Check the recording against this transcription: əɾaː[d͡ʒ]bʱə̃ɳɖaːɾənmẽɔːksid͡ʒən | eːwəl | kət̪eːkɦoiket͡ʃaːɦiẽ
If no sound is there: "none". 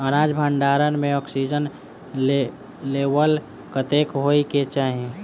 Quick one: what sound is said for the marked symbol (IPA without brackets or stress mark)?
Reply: d͡ʒ